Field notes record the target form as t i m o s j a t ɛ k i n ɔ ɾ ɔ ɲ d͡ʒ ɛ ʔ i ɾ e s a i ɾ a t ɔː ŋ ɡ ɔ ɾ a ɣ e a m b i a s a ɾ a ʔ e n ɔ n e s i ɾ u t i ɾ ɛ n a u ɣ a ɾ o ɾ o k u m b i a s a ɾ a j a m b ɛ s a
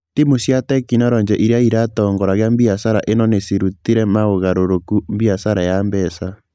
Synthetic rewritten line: t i m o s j a t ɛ k i n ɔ ɾ ɔ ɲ d͡ʒ ɛ ʔ i ɾ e a i ɾ a t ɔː ŋ ɡ ɔ ɾ a ɣ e a m b i a s a ɾ a ʔ e n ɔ n e s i ɾ u t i ɾ ɛ m a o ɣ a ɾ o ɾ o k u m b i a s a ɾ a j a m b ɛ s a